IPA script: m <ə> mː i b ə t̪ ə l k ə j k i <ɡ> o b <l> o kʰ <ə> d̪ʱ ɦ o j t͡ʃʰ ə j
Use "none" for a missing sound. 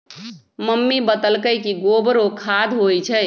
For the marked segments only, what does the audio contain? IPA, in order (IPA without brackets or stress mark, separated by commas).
ə, ɡ, ɾ, a